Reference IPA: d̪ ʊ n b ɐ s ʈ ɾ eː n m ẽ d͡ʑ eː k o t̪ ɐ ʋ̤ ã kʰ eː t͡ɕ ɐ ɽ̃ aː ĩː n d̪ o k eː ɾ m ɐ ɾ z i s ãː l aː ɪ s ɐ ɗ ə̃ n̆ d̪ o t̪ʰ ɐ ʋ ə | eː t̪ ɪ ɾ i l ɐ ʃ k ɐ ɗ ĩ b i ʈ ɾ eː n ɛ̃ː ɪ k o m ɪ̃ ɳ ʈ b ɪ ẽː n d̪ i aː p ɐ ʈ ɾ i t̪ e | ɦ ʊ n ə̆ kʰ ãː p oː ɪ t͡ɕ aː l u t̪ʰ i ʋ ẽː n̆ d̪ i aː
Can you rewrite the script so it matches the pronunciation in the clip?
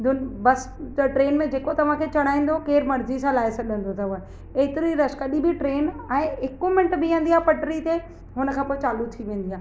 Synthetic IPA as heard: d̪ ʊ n b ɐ s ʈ ɾ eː n m ẽ d͡ʑ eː k o t̪ ɐ ʋ̤ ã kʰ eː t͡ɕ ɐ ɽ̃ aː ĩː n d̪ o k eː ɾ m ɐ ɾ z i s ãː l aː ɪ s ɐ ɗ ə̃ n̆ d̪ o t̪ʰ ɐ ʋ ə | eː t̪ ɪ ɾ i ɾ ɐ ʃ k ɐ ɗ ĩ b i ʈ ɾ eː n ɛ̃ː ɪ k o m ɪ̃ ɳ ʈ b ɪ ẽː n d̪ i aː p ɐ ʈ ɾ i t̪ e | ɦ ʊ n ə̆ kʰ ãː p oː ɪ t͡ɕ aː l u t̪ʰ i ʋ ẽː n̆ d̪ i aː